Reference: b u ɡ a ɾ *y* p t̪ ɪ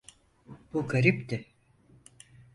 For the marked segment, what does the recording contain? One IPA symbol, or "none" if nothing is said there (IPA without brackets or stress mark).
i